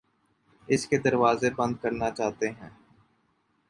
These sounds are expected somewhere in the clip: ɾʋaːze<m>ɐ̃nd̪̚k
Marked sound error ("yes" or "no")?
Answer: yes